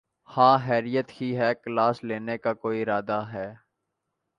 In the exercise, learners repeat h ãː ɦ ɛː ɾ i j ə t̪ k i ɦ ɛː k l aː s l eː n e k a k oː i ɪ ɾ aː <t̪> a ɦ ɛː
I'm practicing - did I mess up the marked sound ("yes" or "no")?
yes